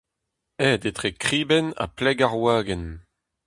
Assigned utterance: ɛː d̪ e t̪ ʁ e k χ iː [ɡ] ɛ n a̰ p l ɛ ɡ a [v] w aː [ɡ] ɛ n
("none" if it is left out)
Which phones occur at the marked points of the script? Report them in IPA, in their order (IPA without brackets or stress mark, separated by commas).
b, ʁ, ɡ